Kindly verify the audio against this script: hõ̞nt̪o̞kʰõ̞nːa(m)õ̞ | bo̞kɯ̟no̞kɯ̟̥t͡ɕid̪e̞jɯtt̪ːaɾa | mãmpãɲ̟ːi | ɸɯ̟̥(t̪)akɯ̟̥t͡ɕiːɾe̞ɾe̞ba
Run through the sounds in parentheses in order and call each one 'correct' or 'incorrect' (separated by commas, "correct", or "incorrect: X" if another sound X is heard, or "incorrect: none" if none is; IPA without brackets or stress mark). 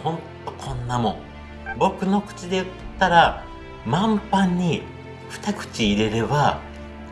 correct, correct